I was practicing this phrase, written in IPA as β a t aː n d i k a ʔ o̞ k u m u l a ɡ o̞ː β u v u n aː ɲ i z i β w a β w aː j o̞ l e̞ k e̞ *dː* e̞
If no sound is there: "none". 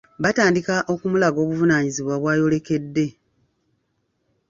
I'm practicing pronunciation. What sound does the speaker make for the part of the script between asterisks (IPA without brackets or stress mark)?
dː